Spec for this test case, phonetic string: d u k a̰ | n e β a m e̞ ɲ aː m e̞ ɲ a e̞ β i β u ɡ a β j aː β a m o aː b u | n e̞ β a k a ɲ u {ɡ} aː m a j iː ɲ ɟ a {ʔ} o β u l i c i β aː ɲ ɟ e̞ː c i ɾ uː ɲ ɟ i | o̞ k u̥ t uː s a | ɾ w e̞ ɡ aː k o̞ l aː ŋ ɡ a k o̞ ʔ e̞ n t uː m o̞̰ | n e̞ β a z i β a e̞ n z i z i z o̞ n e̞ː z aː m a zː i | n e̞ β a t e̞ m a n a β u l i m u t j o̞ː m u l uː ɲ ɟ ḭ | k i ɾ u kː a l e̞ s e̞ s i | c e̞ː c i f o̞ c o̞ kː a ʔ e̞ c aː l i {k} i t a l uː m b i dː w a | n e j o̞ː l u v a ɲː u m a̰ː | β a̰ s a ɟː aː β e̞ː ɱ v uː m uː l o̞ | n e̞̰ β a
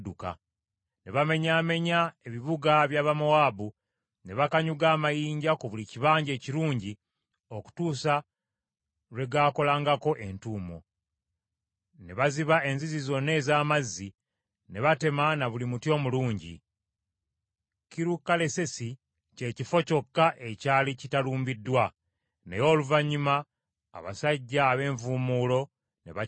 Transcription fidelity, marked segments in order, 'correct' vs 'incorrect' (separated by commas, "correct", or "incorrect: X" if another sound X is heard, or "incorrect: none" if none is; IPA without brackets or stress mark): correct, incorrect: k, incorrect: c